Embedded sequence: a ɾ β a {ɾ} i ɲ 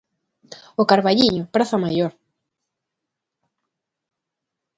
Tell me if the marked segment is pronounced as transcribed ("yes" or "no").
no